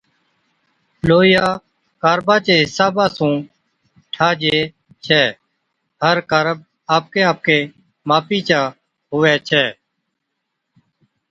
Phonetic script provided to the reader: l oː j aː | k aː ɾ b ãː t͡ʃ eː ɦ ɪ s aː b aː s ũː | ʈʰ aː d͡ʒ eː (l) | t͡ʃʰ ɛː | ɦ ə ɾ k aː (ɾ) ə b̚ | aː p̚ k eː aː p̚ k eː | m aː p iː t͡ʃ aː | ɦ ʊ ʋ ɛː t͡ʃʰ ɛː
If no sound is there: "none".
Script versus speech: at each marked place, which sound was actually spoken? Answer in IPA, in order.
none, ɾ

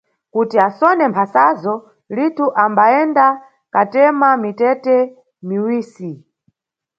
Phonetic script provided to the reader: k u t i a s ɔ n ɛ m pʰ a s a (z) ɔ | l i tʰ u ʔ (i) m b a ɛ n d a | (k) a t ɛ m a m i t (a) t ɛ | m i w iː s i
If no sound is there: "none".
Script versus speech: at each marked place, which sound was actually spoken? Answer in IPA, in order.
z, a, k, ɛ

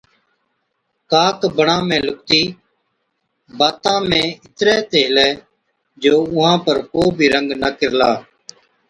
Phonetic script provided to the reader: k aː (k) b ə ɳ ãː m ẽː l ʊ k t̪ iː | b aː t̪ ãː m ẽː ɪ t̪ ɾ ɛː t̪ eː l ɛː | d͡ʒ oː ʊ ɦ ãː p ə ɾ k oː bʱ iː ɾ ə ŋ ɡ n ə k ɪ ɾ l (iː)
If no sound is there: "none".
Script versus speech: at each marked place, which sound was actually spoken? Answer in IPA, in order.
k, aː

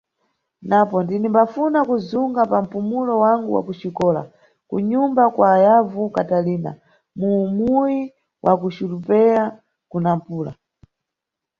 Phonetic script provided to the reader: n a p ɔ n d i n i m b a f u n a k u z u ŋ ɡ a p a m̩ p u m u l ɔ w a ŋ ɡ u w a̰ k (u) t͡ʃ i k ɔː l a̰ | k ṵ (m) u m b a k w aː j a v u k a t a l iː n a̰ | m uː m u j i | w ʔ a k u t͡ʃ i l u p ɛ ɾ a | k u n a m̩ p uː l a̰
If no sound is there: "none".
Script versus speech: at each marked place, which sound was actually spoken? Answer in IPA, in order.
u, ɲ

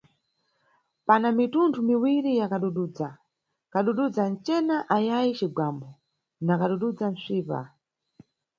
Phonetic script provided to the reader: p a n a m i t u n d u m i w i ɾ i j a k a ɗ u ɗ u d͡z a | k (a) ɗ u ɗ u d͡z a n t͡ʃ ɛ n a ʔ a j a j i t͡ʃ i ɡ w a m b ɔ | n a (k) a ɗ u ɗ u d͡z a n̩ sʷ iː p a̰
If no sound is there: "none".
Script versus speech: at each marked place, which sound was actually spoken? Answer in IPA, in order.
a, k

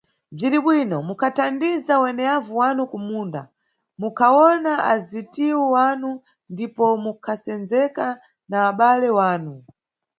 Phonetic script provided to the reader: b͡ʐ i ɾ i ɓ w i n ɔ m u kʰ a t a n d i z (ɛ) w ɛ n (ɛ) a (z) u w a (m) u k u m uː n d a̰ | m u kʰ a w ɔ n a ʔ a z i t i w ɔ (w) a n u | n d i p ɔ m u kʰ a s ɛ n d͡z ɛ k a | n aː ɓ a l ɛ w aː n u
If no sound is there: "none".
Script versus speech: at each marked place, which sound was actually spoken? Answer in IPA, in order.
a, ɛ, v, n, w

